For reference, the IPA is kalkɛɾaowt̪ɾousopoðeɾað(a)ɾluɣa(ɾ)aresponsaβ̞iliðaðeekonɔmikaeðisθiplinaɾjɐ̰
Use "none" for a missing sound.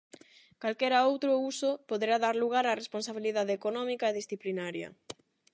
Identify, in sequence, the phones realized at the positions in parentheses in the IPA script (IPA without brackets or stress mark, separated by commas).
a, ɾ